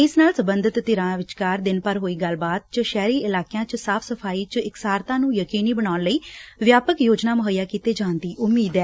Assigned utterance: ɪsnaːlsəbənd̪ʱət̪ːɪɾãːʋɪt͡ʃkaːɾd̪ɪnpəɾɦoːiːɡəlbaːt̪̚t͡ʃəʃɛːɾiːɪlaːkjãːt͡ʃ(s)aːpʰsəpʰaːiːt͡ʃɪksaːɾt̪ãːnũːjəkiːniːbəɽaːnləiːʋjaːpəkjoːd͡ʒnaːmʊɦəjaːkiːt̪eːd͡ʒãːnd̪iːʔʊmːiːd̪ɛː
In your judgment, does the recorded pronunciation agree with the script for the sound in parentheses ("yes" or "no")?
yes